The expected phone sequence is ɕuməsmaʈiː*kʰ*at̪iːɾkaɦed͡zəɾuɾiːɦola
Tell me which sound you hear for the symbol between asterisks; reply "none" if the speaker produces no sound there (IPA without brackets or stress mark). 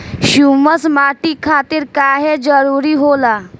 kʰ